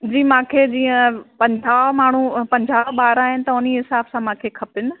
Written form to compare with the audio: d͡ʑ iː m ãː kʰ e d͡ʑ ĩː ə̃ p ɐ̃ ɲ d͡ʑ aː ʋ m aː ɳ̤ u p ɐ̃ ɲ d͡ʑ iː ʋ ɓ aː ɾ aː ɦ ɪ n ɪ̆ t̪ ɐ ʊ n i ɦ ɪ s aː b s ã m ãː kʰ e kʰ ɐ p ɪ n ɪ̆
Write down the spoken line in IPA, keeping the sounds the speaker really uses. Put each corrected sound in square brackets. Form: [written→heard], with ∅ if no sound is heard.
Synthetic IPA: d͡ʑ iː m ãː kʰ e d͡ʑ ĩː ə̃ p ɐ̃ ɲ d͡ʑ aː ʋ m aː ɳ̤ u p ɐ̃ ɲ d͡ʑ [iː→aː] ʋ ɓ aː ɾ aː ɦ ɪ n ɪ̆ t̪ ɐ ʊ n i ɦ ɪ s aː b s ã m ãː kʰ e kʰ ɐ p ɪ n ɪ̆